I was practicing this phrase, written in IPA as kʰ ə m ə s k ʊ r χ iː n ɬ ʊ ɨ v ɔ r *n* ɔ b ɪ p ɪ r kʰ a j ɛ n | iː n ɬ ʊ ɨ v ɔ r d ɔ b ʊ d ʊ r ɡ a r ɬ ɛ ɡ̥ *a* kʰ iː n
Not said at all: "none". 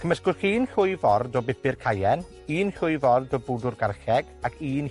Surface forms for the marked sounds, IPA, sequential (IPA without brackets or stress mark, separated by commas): d, a